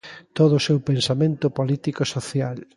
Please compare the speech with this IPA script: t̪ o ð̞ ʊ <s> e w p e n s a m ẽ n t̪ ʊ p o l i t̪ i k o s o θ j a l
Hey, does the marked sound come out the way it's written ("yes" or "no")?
yes